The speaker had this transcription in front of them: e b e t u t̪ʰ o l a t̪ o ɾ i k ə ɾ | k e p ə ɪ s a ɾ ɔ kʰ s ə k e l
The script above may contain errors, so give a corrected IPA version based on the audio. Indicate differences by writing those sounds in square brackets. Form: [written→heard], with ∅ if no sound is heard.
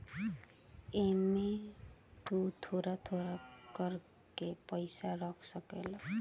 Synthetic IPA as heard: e [b→m] e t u t̪ʰ o [l→ɾ] a [t̪→t̪ʰ] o ɾ [i→a] k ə ɾ | k e p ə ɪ s a ɾ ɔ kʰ s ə k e l